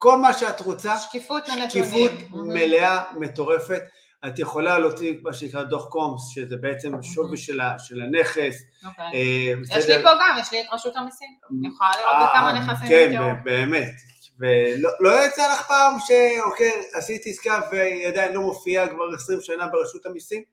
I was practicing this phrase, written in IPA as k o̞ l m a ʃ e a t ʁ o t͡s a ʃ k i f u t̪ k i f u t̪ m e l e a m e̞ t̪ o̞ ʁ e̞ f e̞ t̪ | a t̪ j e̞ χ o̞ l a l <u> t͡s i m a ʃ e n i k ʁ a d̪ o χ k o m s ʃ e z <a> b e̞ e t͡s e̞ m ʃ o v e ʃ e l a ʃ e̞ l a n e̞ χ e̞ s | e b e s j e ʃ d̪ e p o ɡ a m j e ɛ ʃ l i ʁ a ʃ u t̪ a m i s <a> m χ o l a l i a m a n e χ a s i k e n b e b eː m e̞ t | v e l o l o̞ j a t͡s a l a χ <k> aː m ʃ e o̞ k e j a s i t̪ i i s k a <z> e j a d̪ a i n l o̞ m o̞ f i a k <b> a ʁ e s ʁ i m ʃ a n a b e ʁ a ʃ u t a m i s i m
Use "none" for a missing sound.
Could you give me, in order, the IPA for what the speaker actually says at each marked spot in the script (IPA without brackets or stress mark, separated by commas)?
o, e, i, p, v, v